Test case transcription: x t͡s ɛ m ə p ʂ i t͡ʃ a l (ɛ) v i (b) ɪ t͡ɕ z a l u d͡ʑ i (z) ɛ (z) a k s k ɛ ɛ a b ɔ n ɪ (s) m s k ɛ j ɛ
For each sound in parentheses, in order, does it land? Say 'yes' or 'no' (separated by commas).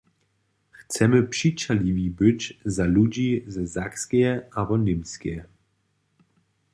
no, yes, yes, yes, no